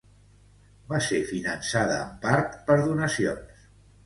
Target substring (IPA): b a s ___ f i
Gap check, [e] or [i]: e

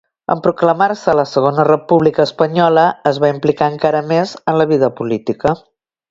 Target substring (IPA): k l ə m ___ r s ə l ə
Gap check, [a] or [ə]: a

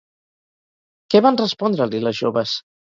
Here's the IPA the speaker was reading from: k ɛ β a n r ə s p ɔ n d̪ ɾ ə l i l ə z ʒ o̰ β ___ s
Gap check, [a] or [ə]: ə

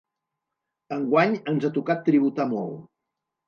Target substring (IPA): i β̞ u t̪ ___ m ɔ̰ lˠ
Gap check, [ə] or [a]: a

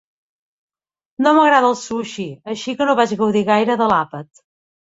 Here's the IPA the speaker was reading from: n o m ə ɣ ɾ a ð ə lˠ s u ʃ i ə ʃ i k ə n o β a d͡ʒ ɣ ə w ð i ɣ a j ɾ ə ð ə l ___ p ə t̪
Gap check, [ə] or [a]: a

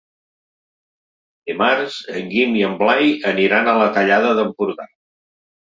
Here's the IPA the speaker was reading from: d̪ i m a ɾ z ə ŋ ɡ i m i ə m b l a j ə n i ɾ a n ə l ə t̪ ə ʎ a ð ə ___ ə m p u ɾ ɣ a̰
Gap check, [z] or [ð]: ð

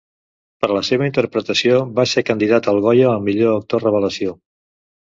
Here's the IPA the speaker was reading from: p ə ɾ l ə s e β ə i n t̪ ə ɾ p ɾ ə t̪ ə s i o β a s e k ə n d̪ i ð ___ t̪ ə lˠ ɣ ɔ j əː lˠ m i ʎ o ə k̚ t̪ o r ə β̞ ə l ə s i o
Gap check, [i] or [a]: a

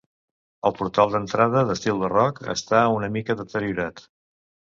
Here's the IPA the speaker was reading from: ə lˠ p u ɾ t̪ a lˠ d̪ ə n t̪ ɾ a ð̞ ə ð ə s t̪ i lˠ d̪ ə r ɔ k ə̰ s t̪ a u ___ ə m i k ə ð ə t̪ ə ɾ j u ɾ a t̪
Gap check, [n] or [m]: n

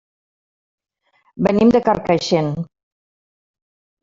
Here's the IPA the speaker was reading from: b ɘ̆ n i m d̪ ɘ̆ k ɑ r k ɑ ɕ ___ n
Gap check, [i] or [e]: e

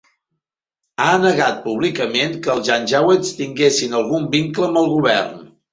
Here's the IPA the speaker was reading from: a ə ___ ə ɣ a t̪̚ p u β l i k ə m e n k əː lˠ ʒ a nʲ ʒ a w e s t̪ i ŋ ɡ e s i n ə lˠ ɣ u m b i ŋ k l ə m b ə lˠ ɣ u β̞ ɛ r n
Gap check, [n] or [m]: n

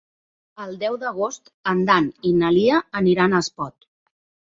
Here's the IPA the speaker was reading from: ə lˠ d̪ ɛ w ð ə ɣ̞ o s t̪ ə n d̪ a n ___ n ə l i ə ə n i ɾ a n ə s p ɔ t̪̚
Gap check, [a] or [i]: i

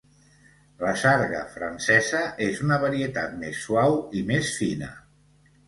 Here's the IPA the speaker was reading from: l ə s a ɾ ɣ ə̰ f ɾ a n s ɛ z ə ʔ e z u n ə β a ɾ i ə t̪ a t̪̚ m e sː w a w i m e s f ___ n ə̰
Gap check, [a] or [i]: i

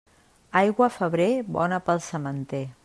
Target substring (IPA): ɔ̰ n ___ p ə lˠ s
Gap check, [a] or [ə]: ə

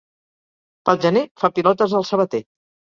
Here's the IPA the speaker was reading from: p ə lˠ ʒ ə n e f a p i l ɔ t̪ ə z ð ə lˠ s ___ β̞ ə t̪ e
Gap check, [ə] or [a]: ə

